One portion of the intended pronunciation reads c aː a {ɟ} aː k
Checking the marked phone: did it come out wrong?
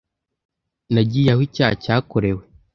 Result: yes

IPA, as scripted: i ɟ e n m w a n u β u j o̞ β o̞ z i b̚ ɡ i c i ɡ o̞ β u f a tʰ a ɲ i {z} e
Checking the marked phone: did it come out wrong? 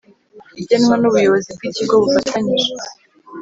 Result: yes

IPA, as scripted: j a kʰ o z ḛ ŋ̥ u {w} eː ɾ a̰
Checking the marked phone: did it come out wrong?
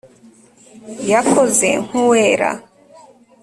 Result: no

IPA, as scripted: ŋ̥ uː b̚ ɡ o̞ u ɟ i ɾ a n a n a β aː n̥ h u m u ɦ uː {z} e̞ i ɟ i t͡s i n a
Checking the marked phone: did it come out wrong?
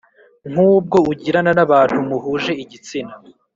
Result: yes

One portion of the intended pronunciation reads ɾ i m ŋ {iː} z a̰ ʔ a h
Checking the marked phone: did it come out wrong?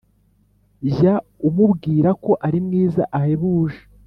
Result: no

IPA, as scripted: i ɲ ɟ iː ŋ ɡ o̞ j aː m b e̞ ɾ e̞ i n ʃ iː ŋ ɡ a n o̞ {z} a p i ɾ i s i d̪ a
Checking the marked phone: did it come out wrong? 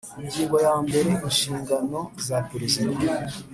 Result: no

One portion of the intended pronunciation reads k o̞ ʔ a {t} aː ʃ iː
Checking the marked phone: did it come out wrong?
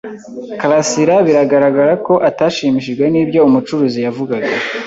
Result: no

